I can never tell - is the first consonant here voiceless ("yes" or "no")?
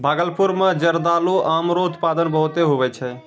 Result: no